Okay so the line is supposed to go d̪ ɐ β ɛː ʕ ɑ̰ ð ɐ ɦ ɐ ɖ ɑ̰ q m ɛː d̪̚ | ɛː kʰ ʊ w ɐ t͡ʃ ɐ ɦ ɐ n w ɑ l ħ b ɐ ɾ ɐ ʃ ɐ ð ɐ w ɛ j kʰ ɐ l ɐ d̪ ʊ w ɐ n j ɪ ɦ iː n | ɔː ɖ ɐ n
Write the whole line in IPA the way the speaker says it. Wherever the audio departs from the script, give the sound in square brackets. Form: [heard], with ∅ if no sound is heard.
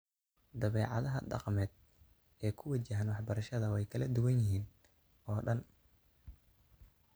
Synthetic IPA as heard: d̪ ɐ β ɛː ʕ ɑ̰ ð ɐ ɦ ɐ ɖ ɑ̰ q m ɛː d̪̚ | ɛː kʰ ʊ w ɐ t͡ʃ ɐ ɦ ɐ n w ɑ [∅] ħ b ɐ ɾ ɐ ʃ ɐ ð ɐ w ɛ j kʰ ɐ l ɐ d̪ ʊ w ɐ n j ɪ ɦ iː n | ɔː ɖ ɐ n